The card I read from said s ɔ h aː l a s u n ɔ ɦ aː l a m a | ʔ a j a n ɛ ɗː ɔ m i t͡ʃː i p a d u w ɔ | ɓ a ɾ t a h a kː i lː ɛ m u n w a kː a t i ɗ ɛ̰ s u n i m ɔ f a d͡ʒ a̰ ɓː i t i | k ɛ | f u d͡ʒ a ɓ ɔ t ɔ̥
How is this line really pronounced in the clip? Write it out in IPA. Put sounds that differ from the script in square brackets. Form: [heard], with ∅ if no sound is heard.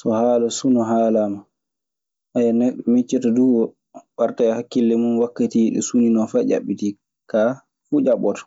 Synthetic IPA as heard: s ɔ h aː l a s u n ɔ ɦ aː l a m a | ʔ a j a n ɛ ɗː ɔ m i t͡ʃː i [t] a d u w ɔ | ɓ a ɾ t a h a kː i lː ɛ m u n w a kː a t i ɗ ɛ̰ s u n i [n] ɔ f a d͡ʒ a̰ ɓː i t i | k [a] | f u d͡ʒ a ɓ ɔ t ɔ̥